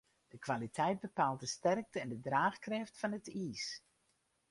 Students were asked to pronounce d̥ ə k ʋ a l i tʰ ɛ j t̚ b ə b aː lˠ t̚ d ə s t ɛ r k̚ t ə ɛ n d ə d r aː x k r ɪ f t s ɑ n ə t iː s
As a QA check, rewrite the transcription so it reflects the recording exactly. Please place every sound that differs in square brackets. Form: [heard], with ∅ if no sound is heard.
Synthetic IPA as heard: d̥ ə k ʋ a l i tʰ ɛ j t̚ b ə [p] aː lˠ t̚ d ə s t ɛ r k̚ t ə ɛ n d ə d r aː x k r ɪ f t [f] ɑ n ə t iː s